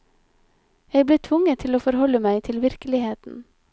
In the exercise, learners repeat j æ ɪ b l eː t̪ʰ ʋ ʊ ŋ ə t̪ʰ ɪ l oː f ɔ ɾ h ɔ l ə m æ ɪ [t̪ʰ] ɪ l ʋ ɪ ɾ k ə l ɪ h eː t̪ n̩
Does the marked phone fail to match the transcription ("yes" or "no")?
no